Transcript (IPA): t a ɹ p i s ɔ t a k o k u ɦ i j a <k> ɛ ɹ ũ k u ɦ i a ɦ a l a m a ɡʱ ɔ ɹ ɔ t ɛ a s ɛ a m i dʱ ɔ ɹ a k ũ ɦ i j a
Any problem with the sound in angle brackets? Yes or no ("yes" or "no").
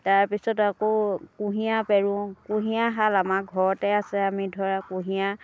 yes